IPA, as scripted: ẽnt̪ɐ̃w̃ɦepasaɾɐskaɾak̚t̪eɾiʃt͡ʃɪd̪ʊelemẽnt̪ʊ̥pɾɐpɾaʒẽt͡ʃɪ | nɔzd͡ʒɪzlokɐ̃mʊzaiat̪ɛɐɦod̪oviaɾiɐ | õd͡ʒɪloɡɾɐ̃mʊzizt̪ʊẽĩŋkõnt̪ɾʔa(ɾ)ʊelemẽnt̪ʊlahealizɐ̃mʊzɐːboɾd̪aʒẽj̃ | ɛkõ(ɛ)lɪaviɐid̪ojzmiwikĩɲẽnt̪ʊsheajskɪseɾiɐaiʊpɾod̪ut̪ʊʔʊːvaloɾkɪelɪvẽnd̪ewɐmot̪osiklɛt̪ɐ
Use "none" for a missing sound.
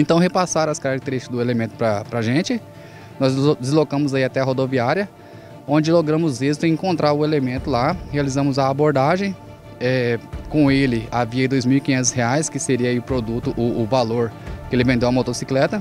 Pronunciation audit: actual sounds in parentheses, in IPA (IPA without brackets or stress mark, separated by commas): ɾ, e